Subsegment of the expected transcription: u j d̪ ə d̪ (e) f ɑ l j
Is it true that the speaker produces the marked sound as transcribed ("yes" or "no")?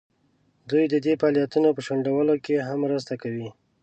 yes